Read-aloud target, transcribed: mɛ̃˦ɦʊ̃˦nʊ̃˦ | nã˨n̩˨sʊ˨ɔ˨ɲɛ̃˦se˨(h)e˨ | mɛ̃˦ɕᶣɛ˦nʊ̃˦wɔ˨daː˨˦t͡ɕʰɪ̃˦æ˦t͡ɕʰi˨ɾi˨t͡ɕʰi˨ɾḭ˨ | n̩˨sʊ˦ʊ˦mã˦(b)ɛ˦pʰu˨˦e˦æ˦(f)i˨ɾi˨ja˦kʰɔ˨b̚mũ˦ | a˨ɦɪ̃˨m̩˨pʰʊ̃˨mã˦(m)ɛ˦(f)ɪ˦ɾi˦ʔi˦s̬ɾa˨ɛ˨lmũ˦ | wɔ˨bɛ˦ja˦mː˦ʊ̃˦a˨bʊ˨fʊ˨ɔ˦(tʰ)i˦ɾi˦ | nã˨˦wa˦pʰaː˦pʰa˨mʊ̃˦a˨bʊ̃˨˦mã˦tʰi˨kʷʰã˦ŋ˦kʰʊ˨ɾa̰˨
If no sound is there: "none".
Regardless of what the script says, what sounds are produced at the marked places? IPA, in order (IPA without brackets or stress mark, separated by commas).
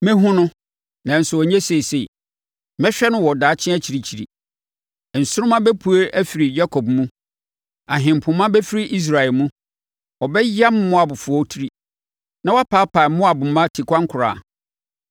s, b, f, b, f, tʰ